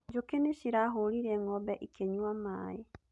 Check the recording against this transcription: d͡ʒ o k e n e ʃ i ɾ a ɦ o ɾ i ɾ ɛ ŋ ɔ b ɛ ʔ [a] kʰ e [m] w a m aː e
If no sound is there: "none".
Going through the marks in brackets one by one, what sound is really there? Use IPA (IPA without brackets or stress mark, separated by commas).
i, ɲ